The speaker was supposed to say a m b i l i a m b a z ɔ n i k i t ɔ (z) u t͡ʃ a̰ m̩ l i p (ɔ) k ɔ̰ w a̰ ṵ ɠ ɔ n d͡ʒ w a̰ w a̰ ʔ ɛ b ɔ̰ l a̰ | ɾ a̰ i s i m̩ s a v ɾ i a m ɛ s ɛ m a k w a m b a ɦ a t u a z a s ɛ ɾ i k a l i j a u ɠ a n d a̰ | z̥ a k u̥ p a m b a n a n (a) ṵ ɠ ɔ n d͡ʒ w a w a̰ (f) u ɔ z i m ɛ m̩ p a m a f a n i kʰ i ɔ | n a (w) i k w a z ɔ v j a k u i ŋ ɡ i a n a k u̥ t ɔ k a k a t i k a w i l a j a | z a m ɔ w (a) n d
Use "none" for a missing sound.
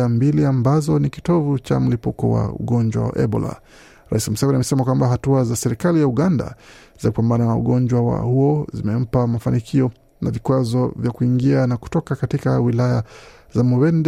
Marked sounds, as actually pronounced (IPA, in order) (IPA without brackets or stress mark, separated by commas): v, u, a, h, v, ɛ